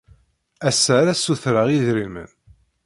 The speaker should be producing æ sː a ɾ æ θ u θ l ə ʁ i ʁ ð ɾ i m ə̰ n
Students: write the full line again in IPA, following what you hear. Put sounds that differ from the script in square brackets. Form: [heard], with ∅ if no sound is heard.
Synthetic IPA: æ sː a ɾ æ [s] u θ [ɾ] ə ʁ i [∅] ð ɾ i m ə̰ n